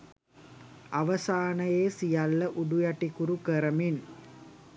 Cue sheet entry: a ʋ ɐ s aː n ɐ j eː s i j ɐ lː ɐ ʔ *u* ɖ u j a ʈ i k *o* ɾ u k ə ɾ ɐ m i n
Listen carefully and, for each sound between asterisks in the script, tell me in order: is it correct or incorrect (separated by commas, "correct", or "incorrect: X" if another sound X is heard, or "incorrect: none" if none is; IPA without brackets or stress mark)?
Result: correct, incorrect: u